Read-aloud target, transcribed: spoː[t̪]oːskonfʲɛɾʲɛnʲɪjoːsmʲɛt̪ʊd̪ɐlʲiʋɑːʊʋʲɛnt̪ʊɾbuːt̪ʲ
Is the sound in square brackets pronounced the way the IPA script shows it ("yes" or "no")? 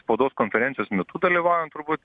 no